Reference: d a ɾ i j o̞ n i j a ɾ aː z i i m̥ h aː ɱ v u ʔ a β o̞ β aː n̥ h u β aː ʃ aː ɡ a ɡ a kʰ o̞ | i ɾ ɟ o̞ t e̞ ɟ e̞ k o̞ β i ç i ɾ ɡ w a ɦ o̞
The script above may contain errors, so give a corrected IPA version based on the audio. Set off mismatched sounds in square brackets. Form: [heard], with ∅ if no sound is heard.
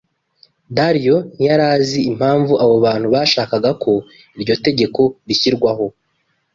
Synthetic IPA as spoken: d a ɾ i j o̞ n i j a ɾ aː z i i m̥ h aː ɱ v u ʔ a β o̞ β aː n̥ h u β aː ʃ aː [k] a ɡ a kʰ o̞ | i ɾ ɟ o̞ t e̞ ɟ e̞ k o̞ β i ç i ɾ ɡ w a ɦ o̞